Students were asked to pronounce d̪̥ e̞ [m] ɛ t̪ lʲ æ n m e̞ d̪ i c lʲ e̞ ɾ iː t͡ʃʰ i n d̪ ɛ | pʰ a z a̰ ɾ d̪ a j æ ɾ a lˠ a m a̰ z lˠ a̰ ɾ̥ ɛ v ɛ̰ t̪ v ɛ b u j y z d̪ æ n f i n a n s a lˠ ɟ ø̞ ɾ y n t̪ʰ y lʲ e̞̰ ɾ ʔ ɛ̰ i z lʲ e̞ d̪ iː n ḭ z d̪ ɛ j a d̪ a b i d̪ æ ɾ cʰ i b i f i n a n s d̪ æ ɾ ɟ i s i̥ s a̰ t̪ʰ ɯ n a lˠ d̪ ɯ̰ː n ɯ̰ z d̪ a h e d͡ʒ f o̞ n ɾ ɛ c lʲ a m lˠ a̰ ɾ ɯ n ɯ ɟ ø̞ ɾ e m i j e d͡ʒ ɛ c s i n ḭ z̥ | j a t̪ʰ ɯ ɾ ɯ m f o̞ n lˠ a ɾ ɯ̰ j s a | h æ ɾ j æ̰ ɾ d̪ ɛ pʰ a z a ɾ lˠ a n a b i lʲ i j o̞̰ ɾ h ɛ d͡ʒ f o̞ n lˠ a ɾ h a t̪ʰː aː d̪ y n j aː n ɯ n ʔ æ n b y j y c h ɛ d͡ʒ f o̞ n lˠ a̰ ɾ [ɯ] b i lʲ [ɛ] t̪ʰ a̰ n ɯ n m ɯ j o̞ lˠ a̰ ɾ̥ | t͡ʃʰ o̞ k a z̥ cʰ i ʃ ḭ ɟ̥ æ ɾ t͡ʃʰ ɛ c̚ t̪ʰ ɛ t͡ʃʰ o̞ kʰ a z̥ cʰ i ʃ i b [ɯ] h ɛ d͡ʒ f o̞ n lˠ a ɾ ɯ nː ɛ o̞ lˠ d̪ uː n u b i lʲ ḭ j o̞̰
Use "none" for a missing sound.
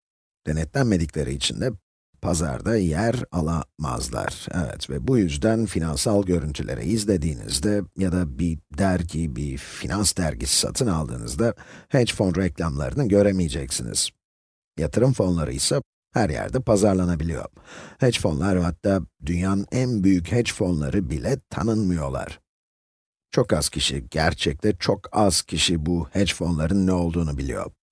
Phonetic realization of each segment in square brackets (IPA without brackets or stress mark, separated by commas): n, ɯ, ɛ, u